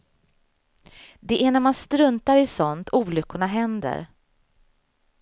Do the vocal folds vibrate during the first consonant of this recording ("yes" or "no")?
yes